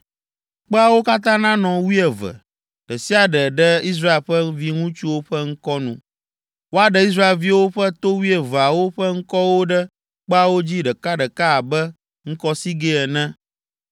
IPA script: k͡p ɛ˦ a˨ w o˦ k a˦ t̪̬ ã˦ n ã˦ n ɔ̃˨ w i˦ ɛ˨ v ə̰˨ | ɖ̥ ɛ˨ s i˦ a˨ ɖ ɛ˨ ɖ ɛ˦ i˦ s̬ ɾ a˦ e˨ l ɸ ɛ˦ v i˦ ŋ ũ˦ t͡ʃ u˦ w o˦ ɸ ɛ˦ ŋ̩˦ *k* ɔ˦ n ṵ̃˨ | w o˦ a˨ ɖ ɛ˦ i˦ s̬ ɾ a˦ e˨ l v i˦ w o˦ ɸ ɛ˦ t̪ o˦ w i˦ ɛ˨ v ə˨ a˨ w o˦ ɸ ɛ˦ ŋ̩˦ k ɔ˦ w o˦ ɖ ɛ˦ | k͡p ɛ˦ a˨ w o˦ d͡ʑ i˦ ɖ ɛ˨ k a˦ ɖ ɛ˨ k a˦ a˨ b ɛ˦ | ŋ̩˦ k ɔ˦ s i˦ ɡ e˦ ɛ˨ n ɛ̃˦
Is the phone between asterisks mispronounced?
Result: no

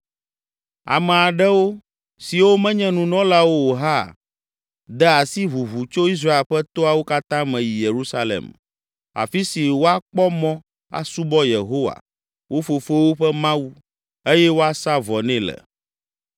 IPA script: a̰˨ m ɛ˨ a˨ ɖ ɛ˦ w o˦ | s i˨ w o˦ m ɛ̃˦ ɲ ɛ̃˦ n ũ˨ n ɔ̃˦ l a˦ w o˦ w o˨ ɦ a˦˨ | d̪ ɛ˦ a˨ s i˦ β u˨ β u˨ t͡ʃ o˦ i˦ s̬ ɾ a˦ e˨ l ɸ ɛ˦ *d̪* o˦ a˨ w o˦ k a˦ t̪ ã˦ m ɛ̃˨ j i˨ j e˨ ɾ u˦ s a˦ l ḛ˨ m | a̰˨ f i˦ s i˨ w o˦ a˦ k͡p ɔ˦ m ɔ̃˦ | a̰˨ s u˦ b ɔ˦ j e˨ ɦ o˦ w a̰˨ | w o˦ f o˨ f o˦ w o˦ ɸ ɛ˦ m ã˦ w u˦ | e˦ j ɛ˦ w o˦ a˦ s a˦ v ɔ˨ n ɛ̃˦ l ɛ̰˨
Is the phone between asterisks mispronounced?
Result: yes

